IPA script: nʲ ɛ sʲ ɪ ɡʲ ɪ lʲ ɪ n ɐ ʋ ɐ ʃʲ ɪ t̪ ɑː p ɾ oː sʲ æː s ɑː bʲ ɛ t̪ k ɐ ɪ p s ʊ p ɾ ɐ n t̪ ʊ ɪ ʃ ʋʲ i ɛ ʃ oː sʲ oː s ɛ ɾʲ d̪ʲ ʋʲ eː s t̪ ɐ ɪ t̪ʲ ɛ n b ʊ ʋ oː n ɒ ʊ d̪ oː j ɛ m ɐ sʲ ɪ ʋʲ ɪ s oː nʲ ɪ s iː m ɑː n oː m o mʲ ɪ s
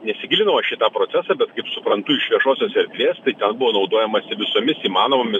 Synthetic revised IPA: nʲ ɛ sʲ ɪ ɡʲ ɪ lʲ ɪ n ɐ ʋ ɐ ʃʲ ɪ t̪ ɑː p ɾ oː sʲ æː s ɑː bʲ ɛ t̪ k ɐ ɪ p s ʊ p ɾ ɐ n t̪ ʊ ɪ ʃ ʋʲ i ɛ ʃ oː sʲ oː s ɛ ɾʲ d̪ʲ ʋʲ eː s t̪ ɐ ɪ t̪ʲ ɛ n b ʊ ʋ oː n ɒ ʊ d̪ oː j ɛ m ɐ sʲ ɪ ʋʲ ɪ s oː mʲ ɪ s iː m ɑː n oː m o mʲ ɪ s